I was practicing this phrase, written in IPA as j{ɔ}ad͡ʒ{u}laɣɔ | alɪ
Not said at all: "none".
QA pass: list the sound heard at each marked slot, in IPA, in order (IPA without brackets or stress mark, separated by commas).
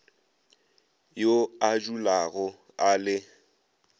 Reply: o, u